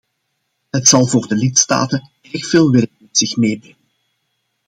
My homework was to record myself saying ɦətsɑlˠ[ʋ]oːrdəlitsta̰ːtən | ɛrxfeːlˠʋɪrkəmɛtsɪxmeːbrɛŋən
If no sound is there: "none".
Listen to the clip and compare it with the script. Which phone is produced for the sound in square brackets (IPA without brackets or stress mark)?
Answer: v